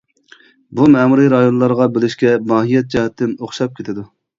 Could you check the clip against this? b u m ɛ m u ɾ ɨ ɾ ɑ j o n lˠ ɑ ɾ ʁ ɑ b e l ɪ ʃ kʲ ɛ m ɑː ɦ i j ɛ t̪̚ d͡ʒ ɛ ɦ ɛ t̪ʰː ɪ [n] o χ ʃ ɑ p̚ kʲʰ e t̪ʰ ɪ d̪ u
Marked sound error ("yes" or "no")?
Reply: no